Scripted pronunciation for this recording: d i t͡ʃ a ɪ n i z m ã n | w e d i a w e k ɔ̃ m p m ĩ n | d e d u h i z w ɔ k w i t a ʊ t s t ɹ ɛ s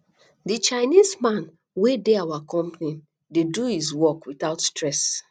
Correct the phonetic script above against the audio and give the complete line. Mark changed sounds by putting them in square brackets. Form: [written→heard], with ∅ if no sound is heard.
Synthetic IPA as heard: d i t͡ʃ a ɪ n i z m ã n | w e d [i→e] a w [e→a] k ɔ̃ m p [m→n] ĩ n | d e d u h i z w ɔ k w i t a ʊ t s t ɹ ɛ s